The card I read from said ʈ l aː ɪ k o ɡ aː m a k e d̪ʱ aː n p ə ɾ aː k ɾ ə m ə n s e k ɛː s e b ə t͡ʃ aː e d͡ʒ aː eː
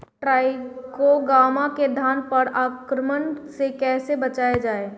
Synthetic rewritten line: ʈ ɾ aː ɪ k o ɡ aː m a k e d̪ʱ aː n p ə ɾ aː k ɾ ə m ə n s e k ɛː s e b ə t͡ʃ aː e d͡ʒ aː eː